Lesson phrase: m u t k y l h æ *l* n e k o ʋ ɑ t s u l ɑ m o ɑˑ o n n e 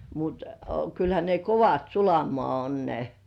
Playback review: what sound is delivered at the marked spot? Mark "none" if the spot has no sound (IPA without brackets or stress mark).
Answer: none